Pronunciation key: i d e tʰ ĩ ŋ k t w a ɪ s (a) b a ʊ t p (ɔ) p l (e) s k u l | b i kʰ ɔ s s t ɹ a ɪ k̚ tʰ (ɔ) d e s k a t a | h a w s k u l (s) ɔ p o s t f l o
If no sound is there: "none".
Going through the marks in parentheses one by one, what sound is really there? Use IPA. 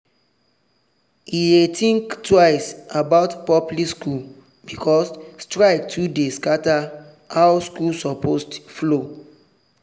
a, ɔ, i, u, s

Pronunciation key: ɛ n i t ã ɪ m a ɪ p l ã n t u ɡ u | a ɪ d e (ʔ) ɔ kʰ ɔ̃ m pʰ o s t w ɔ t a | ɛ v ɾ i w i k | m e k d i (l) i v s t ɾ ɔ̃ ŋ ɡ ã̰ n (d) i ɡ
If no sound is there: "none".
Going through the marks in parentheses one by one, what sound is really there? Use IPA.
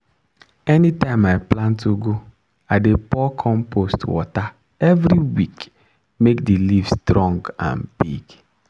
p, l, b

